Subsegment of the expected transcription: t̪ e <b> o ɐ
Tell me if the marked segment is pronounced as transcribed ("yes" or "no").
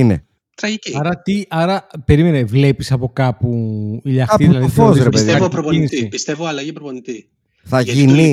no